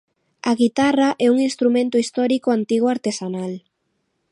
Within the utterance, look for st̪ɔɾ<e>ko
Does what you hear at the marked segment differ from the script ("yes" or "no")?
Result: yes